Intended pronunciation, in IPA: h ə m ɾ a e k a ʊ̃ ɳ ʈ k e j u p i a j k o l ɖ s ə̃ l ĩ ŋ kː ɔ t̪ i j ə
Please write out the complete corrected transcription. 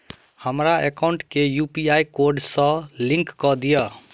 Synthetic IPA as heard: h ə m ɾ a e k a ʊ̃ ɳ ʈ k e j u p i a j k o ɾ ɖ s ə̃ l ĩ ŋ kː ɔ d̪ i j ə